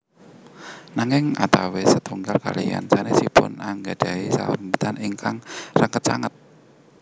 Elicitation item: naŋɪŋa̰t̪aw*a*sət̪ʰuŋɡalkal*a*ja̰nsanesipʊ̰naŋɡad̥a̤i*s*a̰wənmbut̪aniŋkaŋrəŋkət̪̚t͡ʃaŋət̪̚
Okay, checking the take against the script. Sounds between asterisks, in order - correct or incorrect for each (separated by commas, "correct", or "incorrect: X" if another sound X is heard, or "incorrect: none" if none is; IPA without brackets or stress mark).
incorrect: e, incorrect: i, correct